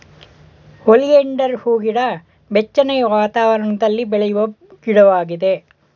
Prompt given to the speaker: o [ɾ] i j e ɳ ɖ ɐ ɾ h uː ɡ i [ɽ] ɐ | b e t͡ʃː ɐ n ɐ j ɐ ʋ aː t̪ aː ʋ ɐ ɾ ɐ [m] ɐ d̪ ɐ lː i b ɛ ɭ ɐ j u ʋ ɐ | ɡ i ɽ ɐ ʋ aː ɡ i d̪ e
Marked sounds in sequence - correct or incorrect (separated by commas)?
incorrect, correct, incorrect